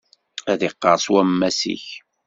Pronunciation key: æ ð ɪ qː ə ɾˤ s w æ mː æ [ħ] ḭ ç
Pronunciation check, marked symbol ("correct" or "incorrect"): incorrect